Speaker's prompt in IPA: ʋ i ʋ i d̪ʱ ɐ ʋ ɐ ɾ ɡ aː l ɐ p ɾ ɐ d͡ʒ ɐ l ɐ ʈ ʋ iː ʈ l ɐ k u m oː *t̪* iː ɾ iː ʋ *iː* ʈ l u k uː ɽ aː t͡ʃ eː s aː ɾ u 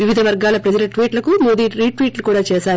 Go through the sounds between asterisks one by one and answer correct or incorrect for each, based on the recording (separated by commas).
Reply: incorrect, correct